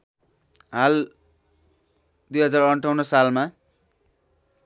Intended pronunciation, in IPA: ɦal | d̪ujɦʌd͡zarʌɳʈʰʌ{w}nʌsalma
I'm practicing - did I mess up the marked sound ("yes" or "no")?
no